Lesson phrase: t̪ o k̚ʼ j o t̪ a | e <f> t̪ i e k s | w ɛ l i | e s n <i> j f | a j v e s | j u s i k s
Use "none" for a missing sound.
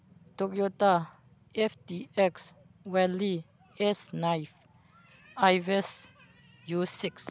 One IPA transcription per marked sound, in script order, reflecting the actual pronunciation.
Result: f, a

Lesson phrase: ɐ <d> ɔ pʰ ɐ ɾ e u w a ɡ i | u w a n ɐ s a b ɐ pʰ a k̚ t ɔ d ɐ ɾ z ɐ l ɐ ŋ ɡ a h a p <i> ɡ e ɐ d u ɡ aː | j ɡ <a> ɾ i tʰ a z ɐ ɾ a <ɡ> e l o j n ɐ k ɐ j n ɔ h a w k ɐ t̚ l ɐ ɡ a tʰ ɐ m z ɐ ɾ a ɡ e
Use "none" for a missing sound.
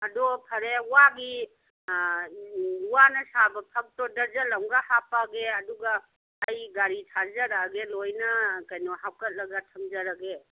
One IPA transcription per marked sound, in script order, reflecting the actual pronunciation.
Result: d, a, a, ɡ

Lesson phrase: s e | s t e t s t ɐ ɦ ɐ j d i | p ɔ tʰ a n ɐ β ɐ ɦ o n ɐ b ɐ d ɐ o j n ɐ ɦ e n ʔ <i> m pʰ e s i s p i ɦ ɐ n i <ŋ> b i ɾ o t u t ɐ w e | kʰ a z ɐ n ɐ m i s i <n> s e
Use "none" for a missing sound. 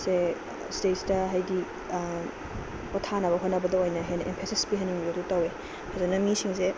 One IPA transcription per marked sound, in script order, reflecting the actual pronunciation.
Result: e, ŋ, ŋ

